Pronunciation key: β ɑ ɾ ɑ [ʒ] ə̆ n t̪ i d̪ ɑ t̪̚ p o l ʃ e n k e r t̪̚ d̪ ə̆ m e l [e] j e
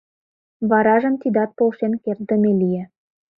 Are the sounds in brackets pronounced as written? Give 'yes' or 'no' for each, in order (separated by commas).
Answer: yes, no